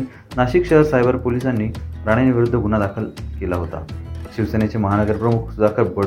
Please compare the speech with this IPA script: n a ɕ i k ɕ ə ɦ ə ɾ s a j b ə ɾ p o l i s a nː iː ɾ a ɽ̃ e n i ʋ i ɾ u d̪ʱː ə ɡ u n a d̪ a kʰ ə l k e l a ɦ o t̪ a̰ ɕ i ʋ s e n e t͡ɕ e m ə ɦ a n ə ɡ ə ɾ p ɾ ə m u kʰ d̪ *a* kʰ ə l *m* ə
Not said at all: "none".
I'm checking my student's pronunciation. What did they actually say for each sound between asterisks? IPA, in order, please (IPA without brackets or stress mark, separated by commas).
a, b